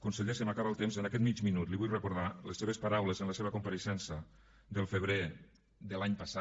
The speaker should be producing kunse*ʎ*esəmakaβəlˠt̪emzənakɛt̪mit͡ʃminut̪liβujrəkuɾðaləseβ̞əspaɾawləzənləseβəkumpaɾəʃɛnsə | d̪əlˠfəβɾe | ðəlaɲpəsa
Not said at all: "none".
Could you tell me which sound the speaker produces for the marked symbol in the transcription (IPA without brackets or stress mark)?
ʎ